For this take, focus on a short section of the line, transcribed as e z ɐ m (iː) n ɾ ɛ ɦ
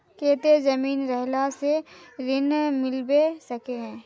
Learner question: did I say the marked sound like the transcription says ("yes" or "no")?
yes